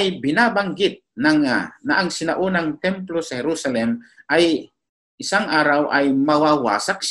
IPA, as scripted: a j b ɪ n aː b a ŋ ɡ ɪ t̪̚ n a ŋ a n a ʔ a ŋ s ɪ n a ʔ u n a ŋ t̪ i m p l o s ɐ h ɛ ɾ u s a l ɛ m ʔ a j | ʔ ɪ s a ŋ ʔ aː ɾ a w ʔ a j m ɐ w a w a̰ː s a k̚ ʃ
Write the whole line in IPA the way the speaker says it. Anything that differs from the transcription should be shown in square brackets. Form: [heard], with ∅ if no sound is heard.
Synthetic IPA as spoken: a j b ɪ n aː b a ŋ ɡ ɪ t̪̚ n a ŋ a n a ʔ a ŋ s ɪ n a ʔ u n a ŋ t̪ [ɛ] m p l o s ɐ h ɛ ɾ u s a l ɛ m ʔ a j | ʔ ɪ s a ŋ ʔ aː ɾ a w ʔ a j m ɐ w a w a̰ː s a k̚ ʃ